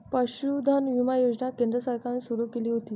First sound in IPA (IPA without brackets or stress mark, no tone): p